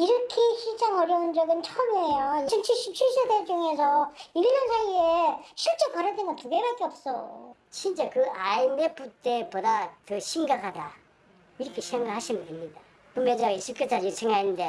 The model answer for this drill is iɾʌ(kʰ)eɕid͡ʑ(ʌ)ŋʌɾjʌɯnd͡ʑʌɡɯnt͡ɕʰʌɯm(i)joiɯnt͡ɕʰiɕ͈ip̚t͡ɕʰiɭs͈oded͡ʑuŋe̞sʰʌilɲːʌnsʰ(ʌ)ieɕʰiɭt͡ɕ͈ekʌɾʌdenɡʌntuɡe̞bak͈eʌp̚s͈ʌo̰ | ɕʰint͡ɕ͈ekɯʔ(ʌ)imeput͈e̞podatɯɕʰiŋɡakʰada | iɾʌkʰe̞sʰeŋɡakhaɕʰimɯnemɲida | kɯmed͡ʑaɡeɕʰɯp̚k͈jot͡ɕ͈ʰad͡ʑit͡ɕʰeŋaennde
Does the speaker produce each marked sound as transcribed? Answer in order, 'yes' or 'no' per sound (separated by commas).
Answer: yes, no, no, no, no